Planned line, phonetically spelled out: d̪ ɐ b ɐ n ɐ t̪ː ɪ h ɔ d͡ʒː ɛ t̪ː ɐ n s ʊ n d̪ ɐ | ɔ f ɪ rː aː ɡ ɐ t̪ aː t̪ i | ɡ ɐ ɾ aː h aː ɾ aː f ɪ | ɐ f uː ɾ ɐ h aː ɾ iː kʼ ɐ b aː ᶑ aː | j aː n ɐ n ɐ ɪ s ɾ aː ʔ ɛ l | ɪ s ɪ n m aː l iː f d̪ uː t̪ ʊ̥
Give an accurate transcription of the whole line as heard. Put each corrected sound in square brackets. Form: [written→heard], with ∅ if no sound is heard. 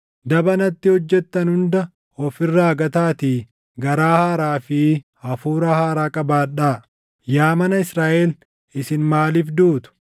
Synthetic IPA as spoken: d̪ ɐ b ɐ n ɐ t̪ː ɪ h ɔ d͡ʒː ɛ t̪ː ɐ n [s→h] ʊ n d̪ ɐ | ɔ f ɪ rː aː ɡ ɐ t̪ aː t̪ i | ɡ ɐ ɾ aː h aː ɾ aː f ɪ | ɐ f uː ɾ ɐ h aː ɾ [iː→aː] kʼ ɐ b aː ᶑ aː | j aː [n→m] ɐ n ɐ ɪ s ɾ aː ʔ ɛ l | ɪ s ɪ n m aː l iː f d̪ uː t̪ ʊ̥